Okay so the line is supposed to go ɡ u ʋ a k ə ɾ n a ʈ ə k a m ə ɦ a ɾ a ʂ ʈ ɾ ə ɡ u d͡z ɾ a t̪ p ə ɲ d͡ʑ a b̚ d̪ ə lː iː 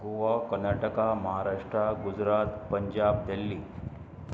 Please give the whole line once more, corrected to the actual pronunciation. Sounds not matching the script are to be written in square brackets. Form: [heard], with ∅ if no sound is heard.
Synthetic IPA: ɡ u ʋ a k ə ɾ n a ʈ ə k a m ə ɦ a ɾ a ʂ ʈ ɾ [a] ɡ u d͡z ɾ a t̪ p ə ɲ d͡ʑ a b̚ d̪ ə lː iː

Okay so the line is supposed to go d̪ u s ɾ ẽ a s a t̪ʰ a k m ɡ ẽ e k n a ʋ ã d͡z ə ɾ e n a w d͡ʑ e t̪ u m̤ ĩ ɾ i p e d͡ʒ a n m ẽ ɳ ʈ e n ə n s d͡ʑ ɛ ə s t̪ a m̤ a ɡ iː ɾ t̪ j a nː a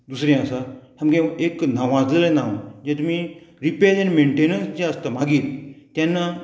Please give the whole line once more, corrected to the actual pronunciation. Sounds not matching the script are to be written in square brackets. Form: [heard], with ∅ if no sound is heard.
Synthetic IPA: d̪ u s ɾ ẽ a s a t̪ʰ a [∅] m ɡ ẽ e k n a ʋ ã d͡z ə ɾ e n a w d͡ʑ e t̪ u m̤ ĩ ɾ i p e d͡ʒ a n m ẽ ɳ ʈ e n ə n s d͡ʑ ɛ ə s t̪ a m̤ a ɡ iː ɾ t̪ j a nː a

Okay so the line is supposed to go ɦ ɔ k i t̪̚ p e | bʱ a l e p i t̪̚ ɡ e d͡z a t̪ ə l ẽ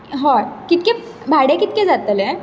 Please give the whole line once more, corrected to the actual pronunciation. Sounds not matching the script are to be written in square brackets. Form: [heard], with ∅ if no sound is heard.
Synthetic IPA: ɦ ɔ k i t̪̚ [k] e | bʱ a [ɽ] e [k] i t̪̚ [k] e d͡z a t̪ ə l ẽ

